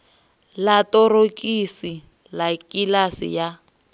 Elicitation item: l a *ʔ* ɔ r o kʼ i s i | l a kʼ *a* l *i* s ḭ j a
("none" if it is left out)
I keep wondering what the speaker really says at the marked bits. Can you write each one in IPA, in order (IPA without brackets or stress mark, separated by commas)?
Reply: t, i, a